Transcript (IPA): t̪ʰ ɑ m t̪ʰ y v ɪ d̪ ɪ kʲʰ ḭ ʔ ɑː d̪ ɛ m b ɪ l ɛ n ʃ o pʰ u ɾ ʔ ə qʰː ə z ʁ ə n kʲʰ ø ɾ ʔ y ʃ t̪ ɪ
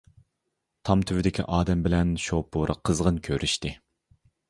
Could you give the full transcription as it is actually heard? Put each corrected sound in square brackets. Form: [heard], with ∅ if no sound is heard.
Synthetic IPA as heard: t̪ʰ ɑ m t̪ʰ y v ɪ d̪ ɪ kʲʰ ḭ ʔ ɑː d̪ ɛ m b ɪ l ɛ n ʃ o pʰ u ɾ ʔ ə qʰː ə z ʁ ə n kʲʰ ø ɾ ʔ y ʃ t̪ ɪ